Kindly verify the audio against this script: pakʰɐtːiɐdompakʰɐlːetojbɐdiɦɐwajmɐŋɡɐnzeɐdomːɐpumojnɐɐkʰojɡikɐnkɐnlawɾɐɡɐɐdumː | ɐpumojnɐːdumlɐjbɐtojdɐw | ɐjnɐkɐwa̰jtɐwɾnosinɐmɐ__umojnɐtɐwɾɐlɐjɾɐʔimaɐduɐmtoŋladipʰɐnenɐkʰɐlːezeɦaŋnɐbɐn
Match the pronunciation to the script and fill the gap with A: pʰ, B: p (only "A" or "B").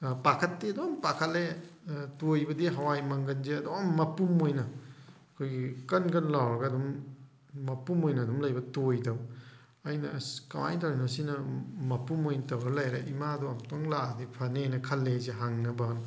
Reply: B